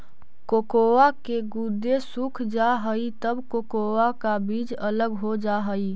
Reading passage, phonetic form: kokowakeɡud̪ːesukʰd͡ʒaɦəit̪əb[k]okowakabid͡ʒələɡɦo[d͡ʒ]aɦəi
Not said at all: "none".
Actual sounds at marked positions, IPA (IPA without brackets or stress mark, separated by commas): k, d͡ʒ